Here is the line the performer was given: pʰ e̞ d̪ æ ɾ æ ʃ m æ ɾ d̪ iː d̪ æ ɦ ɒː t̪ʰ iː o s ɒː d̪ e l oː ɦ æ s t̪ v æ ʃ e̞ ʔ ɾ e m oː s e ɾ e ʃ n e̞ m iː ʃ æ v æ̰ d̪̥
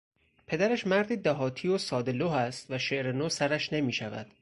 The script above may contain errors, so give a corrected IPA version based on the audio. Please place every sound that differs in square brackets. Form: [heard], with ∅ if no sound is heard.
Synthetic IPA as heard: pʰ e̞ d̪ æ ɾ æ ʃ m æ ɾ d̪ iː d̪ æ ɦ ɒː t̪ʰ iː o s ɒː d̪ e l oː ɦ æ s t̪ v æ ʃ e̞ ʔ ɾ e [n] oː s [æ] ɾ [æ] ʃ n e̞ m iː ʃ æ v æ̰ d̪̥